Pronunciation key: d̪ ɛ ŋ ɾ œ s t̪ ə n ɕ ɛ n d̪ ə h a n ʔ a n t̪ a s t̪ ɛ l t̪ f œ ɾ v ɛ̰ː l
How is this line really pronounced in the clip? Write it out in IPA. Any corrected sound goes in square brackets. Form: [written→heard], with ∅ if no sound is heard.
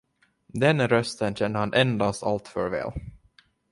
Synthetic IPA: d̪ ɛ [ŋ→n] ɾ œ s t̪ ə n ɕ ɛ n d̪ ə h a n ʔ [a→ɛ] n [t̪→d̪] a s t̪ [ɛ→a] l t̪ f œ ɾ v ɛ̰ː l